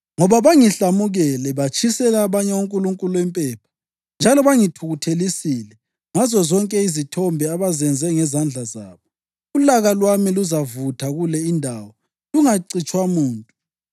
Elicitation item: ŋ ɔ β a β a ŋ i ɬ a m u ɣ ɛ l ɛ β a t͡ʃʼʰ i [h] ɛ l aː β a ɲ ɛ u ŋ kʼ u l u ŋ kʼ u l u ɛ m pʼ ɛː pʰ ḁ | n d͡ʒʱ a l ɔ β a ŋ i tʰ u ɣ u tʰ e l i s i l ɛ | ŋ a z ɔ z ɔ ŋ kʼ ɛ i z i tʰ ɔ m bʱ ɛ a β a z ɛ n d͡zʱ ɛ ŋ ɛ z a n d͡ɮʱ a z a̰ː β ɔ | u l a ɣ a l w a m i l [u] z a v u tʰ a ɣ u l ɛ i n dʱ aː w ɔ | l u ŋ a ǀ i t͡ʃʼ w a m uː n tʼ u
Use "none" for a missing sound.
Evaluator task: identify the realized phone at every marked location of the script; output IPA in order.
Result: s, u

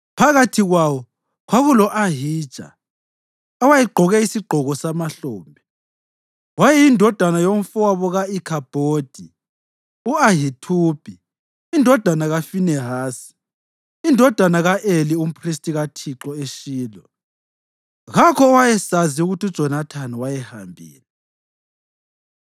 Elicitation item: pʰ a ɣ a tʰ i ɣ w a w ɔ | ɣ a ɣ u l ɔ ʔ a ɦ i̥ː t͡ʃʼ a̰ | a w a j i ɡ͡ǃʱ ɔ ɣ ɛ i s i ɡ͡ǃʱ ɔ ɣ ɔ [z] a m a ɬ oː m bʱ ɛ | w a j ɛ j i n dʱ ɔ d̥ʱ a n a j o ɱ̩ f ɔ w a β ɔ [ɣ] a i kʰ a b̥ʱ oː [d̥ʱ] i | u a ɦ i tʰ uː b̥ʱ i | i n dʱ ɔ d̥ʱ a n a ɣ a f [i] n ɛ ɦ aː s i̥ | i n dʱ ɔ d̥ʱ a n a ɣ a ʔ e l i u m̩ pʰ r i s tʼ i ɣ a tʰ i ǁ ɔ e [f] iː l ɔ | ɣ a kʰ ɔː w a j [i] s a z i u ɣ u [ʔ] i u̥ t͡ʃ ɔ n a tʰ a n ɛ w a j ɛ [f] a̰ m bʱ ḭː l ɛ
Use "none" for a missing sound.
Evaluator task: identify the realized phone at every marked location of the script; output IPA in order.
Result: s, ɣ, d̥ʱ, i, ʃ, ɛ, t, h

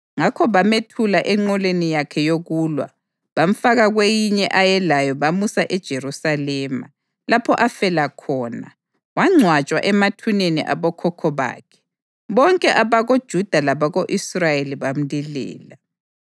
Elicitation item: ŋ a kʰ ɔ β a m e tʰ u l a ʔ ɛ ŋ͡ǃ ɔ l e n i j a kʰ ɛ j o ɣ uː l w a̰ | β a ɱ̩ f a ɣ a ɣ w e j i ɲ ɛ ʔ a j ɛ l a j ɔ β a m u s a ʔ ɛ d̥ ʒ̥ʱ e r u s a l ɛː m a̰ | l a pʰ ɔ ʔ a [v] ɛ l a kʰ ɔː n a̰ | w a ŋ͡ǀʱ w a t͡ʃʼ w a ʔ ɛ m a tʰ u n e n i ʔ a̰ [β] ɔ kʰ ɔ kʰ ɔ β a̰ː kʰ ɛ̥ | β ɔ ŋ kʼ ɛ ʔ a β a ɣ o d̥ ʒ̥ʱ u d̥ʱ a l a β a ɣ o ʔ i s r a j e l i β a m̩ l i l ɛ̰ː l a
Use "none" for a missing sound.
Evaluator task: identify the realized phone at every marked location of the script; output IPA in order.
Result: f, β

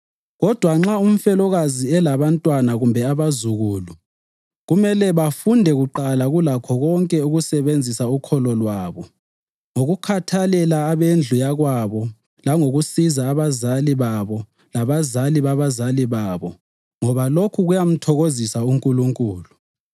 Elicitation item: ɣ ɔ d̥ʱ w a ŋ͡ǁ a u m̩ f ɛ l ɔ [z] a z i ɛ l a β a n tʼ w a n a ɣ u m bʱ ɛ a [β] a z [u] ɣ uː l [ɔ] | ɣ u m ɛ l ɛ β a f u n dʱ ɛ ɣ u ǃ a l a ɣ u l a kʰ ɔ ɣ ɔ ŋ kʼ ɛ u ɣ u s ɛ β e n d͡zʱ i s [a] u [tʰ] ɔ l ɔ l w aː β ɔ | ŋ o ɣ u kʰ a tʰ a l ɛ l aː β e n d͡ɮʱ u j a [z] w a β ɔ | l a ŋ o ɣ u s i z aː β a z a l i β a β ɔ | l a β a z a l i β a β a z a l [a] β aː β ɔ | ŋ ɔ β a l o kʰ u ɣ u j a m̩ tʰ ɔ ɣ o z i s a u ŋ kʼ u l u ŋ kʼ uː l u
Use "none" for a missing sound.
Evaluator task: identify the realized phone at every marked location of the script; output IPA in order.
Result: ɣ, β, u, u, a, kʰ, ɣ, i

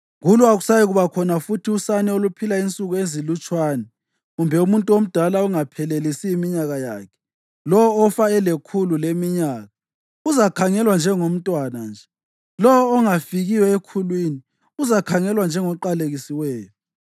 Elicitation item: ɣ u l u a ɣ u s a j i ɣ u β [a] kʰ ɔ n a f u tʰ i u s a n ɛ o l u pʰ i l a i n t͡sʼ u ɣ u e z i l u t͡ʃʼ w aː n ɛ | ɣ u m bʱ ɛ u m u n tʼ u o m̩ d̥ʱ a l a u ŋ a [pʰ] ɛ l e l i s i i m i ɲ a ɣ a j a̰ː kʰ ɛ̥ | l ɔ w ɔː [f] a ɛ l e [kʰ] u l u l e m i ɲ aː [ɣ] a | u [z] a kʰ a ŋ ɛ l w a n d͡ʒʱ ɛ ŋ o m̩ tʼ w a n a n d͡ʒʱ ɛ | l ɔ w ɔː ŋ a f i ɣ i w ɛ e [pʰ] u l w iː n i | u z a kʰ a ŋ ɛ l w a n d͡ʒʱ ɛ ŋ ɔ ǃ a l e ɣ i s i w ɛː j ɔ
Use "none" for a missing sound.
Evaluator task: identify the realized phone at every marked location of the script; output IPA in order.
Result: a, pʰ, f, kʰ, ɣ, z, kʰ

